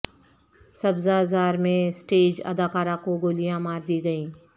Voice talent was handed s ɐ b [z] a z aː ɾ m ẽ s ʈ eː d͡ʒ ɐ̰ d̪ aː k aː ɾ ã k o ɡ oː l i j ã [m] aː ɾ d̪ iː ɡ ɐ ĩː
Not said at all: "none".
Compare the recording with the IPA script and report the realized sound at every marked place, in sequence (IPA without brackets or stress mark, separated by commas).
z, m